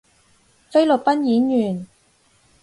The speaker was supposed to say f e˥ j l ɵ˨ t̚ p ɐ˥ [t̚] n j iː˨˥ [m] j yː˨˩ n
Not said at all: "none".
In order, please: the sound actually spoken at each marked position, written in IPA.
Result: none, n

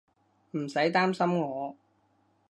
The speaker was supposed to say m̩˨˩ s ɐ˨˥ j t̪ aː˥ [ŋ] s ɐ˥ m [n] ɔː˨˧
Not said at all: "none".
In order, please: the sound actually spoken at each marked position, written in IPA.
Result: m, ŋ

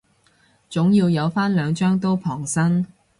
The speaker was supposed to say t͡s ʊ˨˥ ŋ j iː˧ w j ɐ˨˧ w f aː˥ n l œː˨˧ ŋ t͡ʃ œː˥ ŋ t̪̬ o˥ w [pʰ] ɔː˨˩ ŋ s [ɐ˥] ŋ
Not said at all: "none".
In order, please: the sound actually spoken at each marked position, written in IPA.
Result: pʰ, ɐ˥

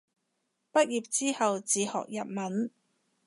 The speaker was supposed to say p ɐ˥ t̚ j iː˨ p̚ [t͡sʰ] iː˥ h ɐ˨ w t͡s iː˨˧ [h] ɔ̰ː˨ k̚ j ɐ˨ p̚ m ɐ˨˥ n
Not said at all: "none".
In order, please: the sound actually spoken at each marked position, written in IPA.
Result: t͡s, h

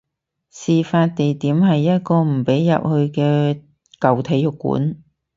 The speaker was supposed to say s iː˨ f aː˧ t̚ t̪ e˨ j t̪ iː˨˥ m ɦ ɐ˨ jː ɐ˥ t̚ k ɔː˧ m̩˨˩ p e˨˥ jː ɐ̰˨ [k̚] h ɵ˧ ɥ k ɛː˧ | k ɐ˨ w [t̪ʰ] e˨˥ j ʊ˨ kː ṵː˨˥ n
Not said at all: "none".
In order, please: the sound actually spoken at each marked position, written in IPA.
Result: p̚, t̪ʰ

